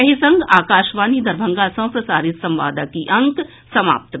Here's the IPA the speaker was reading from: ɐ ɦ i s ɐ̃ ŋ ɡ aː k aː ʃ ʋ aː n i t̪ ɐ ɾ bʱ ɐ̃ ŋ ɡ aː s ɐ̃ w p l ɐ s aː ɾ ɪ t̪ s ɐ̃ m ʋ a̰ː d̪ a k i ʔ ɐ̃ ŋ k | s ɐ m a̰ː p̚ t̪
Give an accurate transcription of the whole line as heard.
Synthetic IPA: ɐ ɦ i s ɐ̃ ŋ ɡ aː k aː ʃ ʋ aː n i d̪ ɐ ɾ bʱ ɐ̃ ŋ ɡ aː s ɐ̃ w p ɾ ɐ s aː ɾ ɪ t̪ s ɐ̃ m ʋ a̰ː d̪ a k i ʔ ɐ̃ ŋ k | s ɐ m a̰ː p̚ t̪